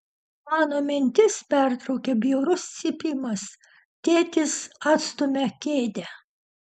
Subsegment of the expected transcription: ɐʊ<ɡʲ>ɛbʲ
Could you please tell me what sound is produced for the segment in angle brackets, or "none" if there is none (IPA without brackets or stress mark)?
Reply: kʲ